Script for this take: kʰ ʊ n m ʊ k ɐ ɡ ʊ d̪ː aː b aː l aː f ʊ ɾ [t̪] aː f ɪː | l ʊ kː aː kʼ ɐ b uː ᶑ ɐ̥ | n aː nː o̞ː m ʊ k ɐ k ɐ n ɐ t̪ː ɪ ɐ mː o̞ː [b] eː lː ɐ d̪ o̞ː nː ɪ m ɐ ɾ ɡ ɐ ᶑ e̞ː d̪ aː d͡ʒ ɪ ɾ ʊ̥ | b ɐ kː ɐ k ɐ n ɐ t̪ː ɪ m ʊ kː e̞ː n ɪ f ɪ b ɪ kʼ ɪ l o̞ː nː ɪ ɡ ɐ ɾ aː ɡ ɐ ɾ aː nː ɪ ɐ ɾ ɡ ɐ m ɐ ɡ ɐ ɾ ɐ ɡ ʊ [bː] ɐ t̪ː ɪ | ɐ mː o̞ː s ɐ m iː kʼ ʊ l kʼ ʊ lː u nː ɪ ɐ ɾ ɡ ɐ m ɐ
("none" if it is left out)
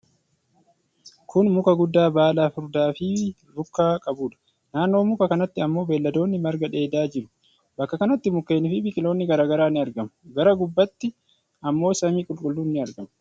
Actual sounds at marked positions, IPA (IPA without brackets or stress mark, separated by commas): d̪, b, bː